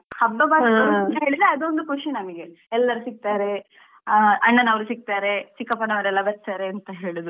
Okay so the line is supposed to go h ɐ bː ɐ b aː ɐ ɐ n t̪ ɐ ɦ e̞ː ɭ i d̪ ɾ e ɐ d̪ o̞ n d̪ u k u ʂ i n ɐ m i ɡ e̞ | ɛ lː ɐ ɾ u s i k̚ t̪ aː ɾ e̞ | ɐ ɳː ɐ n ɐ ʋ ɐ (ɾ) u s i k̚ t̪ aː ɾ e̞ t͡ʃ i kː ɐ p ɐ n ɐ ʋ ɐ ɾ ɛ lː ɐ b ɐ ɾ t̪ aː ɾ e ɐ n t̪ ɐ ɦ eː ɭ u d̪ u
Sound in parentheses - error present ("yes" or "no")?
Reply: no